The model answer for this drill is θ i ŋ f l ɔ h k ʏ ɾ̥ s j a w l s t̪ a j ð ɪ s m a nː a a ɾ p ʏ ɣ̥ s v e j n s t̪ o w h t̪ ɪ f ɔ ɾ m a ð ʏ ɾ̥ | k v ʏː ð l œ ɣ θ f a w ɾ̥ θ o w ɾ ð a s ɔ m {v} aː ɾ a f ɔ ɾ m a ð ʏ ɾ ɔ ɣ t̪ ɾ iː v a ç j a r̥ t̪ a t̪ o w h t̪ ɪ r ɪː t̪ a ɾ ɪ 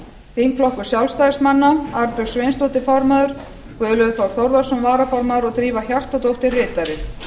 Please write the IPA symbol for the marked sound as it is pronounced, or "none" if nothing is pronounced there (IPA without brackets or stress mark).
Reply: v